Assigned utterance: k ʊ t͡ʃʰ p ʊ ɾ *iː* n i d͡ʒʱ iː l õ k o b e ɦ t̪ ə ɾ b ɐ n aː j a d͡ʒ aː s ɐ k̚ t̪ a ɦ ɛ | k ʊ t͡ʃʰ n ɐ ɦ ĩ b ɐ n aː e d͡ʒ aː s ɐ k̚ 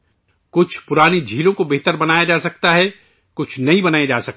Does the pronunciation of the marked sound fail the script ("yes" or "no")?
yes